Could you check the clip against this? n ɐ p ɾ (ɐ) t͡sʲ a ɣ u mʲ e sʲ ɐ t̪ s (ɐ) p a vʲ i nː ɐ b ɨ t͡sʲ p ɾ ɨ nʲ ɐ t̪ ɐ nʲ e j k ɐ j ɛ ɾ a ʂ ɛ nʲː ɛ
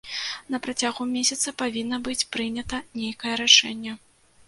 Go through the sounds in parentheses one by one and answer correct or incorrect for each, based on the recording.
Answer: incorrect: a, correct

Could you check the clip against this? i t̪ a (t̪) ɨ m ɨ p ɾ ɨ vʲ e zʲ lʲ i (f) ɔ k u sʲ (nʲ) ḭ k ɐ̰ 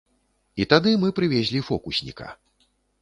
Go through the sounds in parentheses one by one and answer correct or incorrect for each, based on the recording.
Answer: incorrect: d̪, correct, correct

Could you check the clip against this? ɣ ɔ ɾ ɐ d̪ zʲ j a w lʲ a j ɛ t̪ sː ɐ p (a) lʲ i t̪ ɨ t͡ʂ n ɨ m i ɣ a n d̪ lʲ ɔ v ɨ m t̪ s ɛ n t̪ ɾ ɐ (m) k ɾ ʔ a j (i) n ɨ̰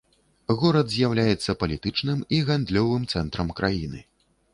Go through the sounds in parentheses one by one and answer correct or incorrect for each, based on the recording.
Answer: incorrect: ɐ, correct, correct

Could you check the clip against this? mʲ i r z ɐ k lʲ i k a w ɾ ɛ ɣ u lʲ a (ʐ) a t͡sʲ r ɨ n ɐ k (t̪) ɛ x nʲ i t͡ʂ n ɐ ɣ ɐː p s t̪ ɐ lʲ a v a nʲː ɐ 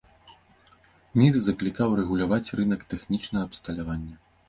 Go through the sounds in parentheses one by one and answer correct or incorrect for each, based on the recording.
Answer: incorrect: v, correct

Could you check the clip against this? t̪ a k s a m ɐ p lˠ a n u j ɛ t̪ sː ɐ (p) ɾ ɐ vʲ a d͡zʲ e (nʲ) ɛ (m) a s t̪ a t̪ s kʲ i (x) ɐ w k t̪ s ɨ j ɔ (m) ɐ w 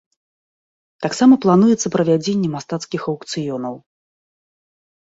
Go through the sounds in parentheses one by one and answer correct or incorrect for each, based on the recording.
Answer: correct, incorrect: nʲː, correct, correct, incorrect: n

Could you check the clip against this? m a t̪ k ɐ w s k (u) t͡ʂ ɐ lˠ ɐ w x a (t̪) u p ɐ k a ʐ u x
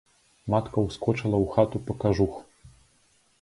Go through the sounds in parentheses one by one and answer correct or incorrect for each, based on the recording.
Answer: incorrect: ɔ, correct

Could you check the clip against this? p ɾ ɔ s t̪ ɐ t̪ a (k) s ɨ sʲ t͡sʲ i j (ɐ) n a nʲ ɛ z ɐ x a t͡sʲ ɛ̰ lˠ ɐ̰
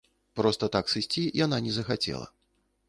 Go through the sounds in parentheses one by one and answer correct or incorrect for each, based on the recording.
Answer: correct, incorrect: a

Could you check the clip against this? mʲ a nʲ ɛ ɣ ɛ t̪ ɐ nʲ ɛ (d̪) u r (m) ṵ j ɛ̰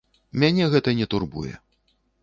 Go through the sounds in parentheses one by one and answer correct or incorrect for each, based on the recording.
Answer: incorrect: t̪, incorrect: b

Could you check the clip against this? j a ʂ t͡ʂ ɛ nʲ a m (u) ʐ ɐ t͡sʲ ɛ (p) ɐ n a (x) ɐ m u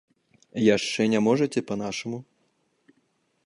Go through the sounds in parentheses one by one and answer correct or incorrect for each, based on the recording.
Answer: incorrect: ɔ, correct, incorrect: ʂ

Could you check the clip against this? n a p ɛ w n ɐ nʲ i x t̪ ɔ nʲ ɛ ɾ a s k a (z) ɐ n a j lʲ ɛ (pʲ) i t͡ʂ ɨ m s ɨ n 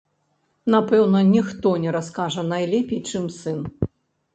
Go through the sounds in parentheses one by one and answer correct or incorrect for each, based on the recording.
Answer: incorrect: ʐ, correct

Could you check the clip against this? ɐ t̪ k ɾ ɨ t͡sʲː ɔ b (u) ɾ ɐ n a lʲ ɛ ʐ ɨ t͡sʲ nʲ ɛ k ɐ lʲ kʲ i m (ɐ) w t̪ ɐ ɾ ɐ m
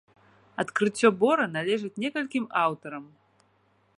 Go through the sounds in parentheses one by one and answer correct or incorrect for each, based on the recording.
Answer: incorrect: ɔ, incorrect: a

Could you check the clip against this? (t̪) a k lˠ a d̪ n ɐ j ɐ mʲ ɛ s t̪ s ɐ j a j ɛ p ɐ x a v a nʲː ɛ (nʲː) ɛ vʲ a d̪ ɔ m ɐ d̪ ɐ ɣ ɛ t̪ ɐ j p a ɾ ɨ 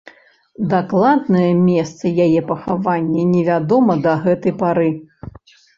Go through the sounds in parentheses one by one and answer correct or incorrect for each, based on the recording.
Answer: incorrect: d̪, incorrect: nʲ

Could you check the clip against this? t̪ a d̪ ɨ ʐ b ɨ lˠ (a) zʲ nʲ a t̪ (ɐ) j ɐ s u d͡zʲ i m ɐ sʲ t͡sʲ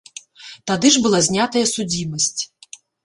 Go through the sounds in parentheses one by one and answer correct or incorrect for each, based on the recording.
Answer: correct, correct

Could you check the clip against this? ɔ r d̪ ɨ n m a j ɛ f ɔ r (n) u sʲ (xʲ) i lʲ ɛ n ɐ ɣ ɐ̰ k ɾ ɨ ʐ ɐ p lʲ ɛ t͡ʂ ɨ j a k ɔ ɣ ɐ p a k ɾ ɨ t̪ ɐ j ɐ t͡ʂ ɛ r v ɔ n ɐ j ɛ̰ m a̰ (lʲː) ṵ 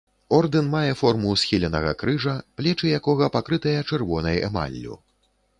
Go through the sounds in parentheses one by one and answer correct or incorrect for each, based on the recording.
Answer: incorrect: m, correct, correct

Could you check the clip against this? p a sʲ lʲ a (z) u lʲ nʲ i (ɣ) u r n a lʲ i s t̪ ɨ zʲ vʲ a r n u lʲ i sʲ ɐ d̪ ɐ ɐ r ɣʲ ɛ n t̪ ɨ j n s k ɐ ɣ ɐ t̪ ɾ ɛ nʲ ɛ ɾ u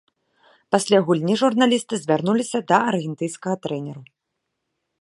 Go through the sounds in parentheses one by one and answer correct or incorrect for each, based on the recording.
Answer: incorrect: ɣ, incorrect: ʐ

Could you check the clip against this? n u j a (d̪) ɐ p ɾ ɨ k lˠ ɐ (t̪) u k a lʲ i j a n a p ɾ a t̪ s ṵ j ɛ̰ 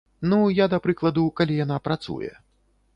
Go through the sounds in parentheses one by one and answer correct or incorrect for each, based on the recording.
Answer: correct, incorrect: d̪

